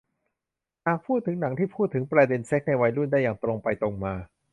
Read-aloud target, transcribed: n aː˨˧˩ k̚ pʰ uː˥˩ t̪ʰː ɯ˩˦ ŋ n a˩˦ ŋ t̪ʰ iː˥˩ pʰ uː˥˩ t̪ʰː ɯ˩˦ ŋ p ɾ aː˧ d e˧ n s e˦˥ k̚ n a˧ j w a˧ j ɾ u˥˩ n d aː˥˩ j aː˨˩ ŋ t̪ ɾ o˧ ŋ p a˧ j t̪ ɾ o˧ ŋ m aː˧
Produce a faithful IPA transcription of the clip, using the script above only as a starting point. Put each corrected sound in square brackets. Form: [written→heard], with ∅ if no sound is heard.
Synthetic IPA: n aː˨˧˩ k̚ pʰ uː˥˩ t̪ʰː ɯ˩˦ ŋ n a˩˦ ŋ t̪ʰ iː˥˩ pʰ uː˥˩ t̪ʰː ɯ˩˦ ŋ p ɾ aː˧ d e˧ n s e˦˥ k̚ n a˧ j w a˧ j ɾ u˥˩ n d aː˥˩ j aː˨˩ ŋ t̪ ɾ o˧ ŋ p a˧ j t̪ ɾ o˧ ŋ m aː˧

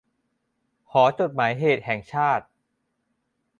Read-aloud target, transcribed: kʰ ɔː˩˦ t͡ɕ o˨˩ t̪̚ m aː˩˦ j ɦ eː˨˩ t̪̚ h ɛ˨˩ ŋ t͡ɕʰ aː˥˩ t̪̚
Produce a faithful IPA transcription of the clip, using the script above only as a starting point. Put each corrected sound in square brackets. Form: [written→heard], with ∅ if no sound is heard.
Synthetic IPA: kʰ ɔː˩˦ t͡ɕ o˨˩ t̪̚ m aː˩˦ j ɦ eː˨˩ t̪̚ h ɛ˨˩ ŋ t͡ɕʰ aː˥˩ t̪̚

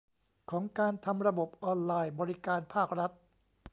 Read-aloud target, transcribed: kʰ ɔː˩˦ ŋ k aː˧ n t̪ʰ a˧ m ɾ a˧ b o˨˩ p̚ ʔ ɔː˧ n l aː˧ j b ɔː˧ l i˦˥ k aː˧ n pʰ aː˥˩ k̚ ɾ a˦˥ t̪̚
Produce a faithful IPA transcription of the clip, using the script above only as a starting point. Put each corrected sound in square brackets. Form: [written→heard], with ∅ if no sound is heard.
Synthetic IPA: kʰ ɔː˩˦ ŋ k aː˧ n t̪ʰ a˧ m ɾ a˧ b o˨˩ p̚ ʔ ɔː˧ n l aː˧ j b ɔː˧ [l→ɾ] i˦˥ k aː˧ n pʰ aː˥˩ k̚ ɾ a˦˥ t̪̚

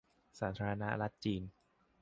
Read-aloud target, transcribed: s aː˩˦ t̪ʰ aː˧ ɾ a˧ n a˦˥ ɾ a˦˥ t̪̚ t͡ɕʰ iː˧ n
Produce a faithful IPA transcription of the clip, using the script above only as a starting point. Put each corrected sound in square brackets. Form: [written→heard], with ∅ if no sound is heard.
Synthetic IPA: s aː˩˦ t̪ʰ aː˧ ɾ a˧ n a˦˥ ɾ a˦˥ t̪̚ [t͡ɕʰ→t͡ɕ] iː˧ n

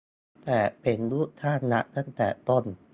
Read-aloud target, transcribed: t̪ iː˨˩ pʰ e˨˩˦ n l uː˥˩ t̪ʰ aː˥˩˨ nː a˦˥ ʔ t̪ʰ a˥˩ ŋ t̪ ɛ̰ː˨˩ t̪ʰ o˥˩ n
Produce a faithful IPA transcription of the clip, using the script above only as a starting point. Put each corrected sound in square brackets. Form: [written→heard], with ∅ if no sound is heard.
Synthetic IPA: t̪ [iː˨˩→ɛː˨˩] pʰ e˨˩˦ n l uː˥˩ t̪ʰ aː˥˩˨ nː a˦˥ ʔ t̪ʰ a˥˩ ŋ t̪ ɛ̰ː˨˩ [t̪ʰ→t̪] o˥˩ n

